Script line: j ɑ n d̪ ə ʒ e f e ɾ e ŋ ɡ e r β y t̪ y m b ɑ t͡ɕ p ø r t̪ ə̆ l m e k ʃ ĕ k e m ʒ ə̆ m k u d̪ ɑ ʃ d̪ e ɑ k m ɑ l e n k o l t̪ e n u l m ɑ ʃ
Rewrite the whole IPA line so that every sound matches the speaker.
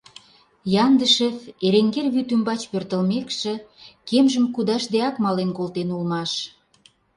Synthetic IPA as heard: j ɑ n d̪ ə ʃ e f e ɾ e ŋ ɡ e r β y t̪ y m b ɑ t͡ɕ p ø r t̪ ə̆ l m e k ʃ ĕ k e m ʒ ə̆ m k u d̪ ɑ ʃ d̪ e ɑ k m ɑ l e n k o l t̪ e n u l m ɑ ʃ